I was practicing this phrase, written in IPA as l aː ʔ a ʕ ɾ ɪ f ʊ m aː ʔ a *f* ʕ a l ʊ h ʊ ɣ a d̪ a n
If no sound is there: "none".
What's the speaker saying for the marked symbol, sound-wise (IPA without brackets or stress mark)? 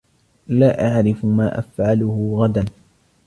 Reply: f